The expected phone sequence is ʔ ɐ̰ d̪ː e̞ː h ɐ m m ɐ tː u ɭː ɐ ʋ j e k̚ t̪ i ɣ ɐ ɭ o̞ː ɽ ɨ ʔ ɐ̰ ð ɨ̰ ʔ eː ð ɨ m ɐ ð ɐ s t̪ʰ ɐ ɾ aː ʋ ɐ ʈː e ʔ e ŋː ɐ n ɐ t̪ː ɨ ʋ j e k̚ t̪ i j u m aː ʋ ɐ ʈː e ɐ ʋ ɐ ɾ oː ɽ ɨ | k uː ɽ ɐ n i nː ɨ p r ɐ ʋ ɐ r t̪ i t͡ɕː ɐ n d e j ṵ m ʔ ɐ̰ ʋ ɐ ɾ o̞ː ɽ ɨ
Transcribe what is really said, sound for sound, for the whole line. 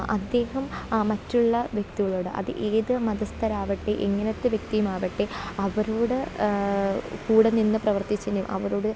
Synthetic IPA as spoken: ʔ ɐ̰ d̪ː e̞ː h ɐ m m ɐ tː u ɭː ɐ ʋ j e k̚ t̪ i ɣ ɐ ɭ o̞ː ɽ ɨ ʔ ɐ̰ ð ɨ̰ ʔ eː ð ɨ m ɐ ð ɐ s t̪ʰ ɐ ɾ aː ʋ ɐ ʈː e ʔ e ŋː ɐ n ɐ t̪ː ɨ ʋ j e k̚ t̪ i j u m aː ʋ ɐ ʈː e ɐ ʋ ɐ ɾ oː ɽ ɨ | k uː ɽ ɐ n i nː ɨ p r ɐ ʋ ɐ r t̪ i t͡ɕː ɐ n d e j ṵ m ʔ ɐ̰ ʋ ɐ ɾ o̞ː ɽ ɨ